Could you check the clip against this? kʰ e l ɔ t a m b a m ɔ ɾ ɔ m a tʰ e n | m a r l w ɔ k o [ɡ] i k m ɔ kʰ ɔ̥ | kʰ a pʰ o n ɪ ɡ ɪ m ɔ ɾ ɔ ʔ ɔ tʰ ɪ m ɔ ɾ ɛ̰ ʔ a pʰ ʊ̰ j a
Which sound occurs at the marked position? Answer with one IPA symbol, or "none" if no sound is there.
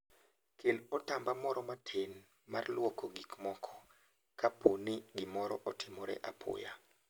ɡ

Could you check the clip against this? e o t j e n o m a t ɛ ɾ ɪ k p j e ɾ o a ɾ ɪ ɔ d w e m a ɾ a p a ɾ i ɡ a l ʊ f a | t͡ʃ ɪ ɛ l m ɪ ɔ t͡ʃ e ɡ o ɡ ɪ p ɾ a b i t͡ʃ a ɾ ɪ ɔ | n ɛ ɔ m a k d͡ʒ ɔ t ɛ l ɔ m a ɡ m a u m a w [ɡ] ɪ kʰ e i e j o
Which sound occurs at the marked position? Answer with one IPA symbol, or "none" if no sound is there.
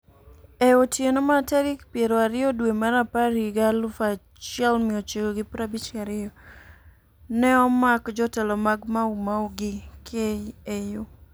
ɡ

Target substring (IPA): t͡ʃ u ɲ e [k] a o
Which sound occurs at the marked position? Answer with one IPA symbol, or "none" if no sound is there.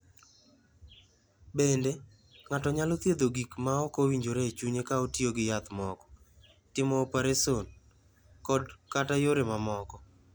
k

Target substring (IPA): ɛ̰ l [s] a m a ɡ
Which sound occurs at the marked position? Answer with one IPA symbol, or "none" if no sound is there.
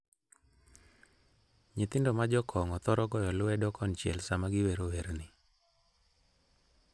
s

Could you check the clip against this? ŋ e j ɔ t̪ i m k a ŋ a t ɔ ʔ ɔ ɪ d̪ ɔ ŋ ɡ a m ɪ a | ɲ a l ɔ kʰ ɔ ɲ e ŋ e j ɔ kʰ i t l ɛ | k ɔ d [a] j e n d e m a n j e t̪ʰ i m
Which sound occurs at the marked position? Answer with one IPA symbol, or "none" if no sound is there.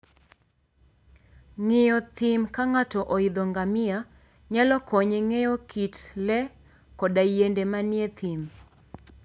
a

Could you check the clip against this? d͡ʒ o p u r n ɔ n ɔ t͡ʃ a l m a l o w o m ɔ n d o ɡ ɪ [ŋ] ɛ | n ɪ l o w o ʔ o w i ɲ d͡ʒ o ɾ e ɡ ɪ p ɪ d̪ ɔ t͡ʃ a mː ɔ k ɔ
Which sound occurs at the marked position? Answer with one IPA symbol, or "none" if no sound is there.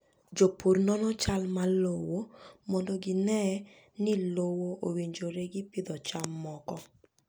n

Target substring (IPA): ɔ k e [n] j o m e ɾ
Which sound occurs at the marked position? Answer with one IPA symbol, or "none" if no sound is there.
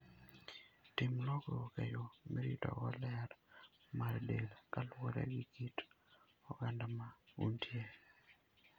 none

